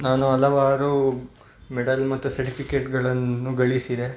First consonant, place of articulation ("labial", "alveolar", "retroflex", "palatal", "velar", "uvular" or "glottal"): alveolar